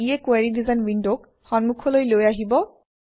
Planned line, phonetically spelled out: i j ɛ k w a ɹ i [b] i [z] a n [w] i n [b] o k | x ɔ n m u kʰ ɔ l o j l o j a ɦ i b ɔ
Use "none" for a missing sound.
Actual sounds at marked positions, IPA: d, z, w, d

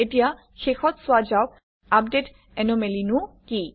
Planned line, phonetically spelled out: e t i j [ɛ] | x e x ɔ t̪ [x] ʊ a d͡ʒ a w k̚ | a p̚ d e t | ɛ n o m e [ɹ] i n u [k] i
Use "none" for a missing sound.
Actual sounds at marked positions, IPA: a, s, l, k

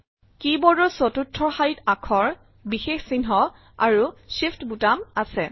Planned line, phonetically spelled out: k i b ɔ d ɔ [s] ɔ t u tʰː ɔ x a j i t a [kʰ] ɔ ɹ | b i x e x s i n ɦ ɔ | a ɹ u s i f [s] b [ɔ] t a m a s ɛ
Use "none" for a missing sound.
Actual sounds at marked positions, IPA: s, kʰ, t, u

